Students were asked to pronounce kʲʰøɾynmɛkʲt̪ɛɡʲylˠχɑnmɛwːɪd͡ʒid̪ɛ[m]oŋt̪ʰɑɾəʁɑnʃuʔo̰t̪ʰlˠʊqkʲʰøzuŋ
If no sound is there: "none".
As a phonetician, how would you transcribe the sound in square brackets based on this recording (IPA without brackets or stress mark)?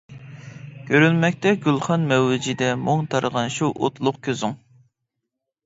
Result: m